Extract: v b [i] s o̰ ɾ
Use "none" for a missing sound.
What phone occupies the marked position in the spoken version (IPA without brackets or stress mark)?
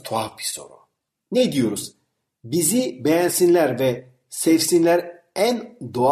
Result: i